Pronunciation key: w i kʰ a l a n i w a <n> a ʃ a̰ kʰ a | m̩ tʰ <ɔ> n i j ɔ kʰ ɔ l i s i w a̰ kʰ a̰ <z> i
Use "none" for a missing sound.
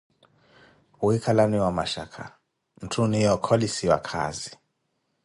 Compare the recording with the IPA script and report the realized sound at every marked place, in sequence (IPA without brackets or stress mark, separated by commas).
m, u, z